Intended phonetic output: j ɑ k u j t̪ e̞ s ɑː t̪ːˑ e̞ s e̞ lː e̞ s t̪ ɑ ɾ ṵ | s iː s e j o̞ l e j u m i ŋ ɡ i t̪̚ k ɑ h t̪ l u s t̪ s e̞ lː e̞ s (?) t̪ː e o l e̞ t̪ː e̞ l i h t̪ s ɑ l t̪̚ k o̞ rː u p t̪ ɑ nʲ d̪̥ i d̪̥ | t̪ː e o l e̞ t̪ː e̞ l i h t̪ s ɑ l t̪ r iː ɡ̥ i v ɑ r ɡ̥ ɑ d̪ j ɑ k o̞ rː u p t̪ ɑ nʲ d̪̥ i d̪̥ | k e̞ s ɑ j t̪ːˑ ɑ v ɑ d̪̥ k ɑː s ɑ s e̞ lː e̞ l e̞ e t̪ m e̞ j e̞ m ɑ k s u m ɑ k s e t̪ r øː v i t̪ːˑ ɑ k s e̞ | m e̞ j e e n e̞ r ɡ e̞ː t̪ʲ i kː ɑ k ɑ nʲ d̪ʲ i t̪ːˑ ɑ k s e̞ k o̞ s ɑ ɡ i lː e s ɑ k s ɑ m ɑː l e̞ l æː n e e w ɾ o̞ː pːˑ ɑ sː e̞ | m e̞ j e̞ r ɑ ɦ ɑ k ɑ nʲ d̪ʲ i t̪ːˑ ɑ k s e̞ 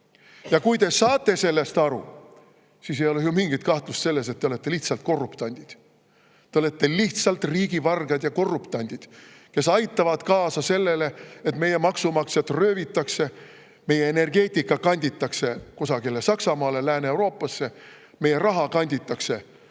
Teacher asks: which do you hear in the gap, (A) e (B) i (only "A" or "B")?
A